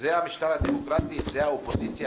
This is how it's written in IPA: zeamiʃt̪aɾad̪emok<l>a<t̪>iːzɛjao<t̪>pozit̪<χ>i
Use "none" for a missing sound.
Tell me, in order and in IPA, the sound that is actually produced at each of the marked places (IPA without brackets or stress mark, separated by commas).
ɾ, t̪, none, s